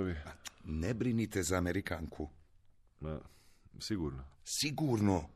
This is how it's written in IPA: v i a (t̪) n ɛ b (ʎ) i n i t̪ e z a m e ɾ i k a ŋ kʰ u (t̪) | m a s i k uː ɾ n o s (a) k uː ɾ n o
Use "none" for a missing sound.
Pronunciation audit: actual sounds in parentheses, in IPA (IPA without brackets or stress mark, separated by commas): none, ɾ, none, i